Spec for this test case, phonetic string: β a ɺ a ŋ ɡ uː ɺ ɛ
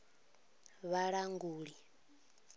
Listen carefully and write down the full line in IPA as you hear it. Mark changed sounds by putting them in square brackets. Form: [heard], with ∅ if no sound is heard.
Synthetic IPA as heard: β a ɺ a ŋ ɡ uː ɺ [i]